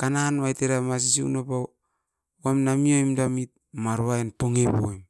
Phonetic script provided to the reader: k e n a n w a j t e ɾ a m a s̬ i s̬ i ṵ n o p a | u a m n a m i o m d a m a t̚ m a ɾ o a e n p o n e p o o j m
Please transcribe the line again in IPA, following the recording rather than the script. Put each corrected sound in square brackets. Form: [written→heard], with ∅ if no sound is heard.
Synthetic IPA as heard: k [e→a] n a n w a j t e ɾ a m a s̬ i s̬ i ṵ n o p a | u a m n a m i o m d a m [a→i] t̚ m a ɾ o a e n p o [n→ŋ] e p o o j m